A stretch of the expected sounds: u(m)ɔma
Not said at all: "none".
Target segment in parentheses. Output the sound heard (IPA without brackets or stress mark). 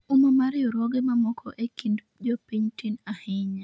m